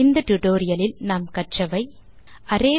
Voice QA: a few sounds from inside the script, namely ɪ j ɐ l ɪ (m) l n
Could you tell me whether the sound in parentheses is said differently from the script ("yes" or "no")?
yes